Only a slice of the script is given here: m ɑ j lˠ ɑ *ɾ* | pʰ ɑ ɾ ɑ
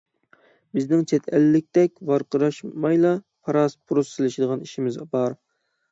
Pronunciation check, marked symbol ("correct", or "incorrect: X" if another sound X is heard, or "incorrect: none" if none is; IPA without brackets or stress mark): incorrect: none